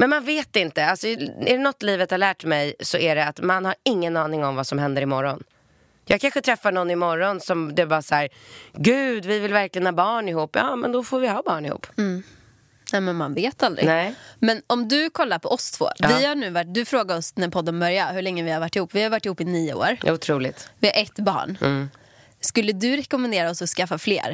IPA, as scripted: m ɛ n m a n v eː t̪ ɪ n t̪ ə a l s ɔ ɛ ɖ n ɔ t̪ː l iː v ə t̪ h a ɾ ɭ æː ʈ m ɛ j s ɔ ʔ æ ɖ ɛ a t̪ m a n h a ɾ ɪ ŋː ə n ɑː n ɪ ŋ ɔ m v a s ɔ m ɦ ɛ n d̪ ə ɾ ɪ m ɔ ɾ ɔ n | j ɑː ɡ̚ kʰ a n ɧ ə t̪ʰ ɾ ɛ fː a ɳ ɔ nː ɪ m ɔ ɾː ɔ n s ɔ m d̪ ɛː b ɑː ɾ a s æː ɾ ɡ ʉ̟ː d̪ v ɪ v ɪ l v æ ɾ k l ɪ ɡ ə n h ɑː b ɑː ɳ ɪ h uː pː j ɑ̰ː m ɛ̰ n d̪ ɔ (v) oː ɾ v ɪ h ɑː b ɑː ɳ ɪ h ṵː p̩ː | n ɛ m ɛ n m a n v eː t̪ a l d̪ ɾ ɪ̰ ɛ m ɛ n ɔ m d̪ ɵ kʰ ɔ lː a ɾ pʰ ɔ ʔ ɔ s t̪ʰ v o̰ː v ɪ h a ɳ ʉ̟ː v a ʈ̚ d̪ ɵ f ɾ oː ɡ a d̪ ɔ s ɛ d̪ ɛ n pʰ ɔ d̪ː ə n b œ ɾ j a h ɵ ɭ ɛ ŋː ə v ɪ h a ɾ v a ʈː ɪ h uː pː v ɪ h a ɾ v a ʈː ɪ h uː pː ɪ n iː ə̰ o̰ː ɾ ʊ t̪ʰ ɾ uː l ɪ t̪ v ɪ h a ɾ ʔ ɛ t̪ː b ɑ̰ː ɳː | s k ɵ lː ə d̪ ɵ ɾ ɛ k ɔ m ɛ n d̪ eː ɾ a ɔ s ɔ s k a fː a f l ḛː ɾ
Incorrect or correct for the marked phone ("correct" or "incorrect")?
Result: incorrect